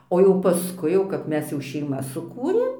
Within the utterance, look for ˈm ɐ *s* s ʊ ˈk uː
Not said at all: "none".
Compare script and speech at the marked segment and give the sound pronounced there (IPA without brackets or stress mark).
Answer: s